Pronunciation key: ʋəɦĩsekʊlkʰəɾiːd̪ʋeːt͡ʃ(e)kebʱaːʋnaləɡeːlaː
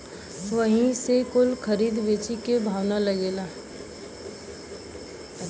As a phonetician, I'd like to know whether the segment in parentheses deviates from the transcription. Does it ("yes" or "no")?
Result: yes